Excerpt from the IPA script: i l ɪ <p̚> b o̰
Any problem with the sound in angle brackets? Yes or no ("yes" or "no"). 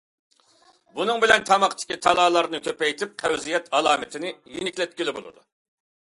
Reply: yes